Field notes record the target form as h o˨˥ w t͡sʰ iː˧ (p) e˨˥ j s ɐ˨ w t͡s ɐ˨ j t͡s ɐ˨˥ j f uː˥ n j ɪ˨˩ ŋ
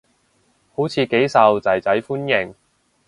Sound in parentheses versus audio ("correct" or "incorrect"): incorrect